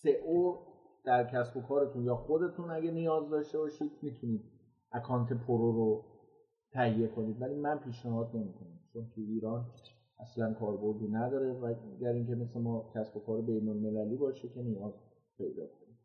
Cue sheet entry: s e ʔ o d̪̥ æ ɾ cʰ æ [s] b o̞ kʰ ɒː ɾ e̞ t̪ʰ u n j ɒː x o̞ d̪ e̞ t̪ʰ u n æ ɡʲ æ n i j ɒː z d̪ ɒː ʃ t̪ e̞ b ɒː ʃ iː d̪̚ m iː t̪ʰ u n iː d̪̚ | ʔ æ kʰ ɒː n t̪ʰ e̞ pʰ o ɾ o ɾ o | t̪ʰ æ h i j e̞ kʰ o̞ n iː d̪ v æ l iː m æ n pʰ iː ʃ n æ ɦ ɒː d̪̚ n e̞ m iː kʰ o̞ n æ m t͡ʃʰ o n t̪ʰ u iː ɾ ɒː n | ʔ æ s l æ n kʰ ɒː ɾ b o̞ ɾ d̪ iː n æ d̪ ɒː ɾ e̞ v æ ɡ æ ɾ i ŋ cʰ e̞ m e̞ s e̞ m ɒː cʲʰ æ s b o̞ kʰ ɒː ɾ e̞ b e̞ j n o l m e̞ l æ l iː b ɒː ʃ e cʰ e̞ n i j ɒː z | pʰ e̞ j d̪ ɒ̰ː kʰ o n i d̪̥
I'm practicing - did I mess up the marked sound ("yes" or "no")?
no